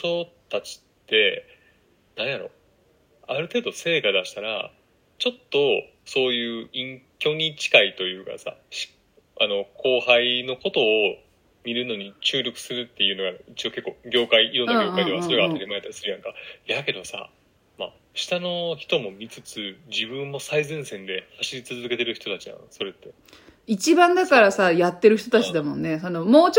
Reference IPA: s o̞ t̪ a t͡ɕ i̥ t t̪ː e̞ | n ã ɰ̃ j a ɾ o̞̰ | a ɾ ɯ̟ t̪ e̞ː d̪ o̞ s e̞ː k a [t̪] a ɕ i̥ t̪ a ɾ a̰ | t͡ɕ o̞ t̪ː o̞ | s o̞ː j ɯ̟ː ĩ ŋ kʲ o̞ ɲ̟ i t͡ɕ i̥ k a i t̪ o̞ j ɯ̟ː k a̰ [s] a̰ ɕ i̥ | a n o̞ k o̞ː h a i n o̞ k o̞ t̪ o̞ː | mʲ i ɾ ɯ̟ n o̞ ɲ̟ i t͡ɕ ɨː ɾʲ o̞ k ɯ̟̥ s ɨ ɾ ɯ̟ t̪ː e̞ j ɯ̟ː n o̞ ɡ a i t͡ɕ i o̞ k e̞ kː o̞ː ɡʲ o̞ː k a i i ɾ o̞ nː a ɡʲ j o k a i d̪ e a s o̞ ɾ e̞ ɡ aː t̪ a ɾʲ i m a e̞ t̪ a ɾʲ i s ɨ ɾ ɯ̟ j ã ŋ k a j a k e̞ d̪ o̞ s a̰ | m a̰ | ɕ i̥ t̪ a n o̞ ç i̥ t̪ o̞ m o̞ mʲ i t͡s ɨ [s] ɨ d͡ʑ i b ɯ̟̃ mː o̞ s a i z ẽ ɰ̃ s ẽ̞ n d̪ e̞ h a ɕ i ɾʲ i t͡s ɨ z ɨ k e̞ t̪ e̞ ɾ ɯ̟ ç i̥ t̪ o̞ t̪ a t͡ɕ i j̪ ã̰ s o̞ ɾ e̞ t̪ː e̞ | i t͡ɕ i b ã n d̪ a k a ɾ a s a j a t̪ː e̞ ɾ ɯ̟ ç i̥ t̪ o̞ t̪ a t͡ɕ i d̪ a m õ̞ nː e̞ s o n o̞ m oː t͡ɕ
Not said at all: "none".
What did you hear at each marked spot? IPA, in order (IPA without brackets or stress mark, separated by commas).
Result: d̪, s, t͡s